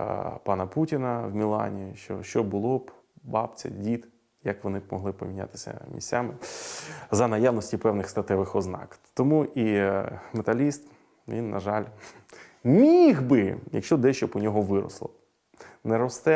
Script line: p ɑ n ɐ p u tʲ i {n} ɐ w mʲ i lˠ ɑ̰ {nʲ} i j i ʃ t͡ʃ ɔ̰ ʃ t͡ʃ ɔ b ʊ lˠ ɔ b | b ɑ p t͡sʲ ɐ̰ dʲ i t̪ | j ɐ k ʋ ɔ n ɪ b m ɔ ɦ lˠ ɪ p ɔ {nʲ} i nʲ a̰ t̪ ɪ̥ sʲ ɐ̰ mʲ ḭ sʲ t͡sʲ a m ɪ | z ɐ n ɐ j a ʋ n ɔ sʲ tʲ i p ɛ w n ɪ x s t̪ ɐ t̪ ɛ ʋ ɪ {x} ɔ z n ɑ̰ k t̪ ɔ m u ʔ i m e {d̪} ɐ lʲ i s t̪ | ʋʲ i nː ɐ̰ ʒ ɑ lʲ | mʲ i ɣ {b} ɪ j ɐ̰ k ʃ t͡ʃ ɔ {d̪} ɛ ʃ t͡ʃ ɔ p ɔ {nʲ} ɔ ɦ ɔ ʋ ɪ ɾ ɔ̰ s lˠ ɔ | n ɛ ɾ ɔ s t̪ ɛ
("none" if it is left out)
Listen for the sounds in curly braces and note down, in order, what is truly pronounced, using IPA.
n, nʲ, mʲ, x, t̪, b, d̪, nʲ

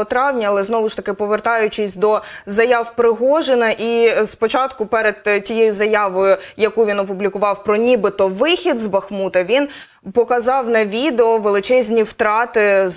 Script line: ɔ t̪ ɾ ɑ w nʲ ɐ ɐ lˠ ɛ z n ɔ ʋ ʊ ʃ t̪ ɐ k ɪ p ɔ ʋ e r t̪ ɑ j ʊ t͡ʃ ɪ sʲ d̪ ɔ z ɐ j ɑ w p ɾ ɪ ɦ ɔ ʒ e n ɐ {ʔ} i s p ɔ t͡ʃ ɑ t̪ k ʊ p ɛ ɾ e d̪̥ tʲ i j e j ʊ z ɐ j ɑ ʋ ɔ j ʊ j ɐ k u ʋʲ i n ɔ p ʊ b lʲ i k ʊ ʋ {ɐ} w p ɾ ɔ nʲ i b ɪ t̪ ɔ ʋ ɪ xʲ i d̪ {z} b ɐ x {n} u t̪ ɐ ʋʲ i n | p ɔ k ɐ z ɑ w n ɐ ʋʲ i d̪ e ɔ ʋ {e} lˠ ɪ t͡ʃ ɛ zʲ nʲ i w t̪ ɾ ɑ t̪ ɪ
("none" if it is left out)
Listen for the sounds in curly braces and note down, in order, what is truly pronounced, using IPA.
ʔ, ɑ, z, m, e

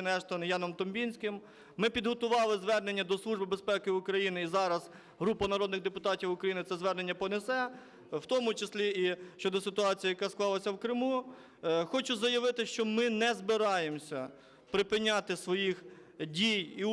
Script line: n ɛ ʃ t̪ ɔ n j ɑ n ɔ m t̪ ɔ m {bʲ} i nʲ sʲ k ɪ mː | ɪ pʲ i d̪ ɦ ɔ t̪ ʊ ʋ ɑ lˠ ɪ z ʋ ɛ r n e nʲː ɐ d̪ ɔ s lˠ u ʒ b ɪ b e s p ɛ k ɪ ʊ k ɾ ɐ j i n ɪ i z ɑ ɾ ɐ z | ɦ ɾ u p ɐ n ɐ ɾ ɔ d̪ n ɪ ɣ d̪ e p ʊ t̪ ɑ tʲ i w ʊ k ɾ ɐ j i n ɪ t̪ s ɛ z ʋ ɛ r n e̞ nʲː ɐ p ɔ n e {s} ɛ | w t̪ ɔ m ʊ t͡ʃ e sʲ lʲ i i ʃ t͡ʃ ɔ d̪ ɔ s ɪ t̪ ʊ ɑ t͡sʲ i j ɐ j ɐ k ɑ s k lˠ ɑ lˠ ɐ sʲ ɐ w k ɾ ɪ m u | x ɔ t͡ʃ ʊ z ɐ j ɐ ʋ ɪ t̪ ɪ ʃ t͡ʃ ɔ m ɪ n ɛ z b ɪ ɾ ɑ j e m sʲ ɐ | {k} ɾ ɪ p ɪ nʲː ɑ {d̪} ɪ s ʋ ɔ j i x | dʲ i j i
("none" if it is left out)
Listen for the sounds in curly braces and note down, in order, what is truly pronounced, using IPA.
bʲ, s, p, t̪

